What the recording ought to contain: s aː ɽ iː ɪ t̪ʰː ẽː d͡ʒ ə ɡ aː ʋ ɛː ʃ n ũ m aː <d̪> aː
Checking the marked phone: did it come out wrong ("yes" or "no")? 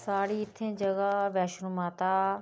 yes